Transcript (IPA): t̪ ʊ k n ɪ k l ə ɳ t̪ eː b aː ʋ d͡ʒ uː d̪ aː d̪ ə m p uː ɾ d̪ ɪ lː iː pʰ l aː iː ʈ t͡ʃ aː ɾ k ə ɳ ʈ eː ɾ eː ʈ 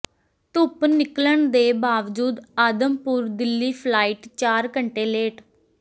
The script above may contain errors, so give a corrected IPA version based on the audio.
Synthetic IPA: t̪ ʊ p n ɪ k l ə ɳ d̪ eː b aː ʋ d͡ʒ uː d̪ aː d̪ ə m p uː ɾ d̪ ɪ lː iː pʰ l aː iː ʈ t͡ʃ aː ɾ k ə ɳ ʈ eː l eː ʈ